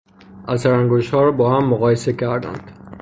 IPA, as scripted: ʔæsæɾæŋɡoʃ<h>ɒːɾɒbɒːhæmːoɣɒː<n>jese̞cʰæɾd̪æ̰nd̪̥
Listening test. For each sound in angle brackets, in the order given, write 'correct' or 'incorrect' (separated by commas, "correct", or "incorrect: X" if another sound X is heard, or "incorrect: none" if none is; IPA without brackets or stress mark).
correct, incorrect: none